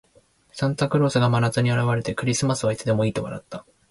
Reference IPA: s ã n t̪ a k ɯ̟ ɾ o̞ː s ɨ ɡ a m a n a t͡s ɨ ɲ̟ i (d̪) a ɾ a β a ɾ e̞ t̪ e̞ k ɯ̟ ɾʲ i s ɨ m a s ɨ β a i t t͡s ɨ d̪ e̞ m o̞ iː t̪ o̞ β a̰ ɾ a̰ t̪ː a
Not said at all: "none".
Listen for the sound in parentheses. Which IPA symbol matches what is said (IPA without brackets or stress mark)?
none